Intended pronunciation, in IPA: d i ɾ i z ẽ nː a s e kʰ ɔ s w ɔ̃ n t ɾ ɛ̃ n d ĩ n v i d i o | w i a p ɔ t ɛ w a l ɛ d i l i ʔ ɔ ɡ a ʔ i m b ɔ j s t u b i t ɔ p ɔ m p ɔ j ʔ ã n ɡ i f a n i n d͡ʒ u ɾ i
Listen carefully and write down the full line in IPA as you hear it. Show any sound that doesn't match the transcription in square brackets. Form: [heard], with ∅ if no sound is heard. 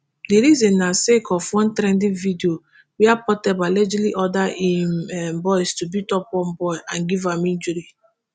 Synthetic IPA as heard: d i ɾ i z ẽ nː a s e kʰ ɔ [f] w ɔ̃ n t ɾ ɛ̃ n d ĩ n v i d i o | w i a p ɔ t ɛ [b] a l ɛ [d͡ʒ] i l i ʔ ɔ [d] a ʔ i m b ɔ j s t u b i t ɔ p ɔ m [b] ɔ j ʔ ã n ɡ i [v] a [m] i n d͡ʒ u ɾ i